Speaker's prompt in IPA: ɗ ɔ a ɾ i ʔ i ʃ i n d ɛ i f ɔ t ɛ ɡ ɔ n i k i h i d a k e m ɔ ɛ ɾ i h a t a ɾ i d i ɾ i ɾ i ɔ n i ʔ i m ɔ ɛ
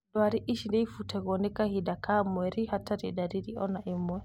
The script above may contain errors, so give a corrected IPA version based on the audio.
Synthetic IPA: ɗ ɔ a ɾ i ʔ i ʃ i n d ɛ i f u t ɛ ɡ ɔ n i k a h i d a k a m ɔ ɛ ɾ i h a t a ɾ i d a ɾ i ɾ i ɔ n a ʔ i m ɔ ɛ